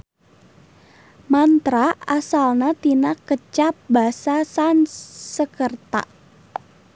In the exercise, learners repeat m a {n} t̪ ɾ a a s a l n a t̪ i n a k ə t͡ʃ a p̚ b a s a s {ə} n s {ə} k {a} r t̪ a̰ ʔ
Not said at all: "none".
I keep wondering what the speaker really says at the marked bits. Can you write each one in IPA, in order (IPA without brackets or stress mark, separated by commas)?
n, a, ə, ə